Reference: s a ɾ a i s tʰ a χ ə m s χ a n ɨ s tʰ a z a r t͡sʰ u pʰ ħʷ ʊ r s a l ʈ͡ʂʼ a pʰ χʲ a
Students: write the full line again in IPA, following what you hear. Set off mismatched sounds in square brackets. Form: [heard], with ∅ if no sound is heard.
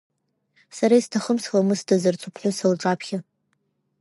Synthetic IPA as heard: s a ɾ a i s tʰ a χ ə m s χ a [m] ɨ s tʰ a z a r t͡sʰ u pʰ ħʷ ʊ [∅] s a l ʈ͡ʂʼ a pʰ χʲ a